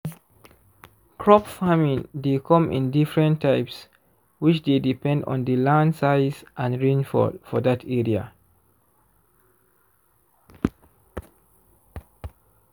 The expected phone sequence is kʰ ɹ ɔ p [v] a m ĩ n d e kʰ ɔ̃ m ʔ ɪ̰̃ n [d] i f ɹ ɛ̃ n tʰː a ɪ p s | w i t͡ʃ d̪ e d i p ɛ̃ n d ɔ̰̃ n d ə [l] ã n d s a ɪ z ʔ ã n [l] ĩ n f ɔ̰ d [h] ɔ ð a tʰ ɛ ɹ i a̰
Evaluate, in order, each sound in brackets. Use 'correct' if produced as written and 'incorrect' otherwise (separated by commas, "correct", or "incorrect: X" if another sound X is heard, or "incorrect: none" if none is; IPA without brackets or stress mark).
incorrect: f, correct, correct, incorrect: ɹ, incorrect: f